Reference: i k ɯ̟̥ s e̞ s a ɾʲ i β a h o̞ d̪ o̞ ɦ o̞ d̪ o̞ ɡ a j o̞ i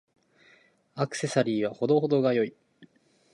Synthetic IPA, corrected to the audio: a k ɯ̟̥ s e̞ s a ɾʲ iː β a h o̞ d̪ o̞ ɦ o̞ d̪ o̞ ɡ a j o̞ i